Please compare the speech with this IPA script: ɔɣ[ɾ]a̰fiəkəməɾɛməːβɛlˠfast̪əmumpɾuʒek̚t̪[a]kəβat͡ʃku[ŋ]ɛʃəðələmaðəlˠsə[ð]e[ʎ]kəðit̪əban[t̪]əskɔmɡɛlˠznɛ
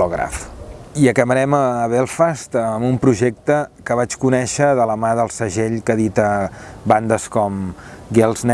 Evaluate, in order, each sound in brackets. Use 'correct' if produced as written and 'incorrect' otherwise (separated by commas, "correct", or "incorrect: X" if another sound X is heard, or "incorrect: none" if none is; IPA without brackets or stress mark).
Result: correct, incorrect: ə, incorrect: n, incorrect: ʒ, correct, incorrect: d̪